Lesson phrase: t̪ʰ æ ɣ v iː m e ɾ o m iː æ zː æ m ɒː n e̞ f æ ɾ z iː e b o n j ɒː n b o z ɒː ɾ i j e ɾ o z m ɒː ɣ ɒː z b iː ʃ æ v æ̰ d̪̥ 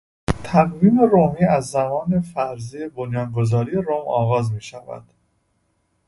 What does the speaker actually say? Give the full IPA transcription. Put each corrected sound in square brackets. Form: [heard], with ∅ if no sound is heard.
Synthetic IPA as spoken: t̪ʰ æ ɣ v iː m e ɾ o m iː æ zː æ m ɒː n e̞ f æ ɾ z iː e b o n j ɒː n [ɡ] o z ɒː ɾ i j e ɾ o [∅] m ɒː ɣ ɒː z [m] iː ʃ æ v æ̰ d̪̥